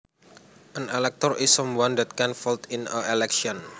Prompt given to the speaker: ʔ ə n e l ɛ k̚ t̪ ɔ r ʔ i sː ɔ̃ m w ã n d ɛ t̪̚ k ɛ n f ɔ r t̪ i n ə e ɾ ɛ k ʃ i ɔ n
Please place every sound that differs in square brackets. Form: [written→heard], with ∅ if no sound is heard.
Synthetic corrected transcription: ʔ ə n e l ɛ k̚ t̪ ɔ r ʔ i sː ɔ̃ m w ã n d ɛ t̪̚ k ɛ n f ɔ [r→l] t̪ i n ə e [ɾ→l] ɛ k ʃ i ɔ n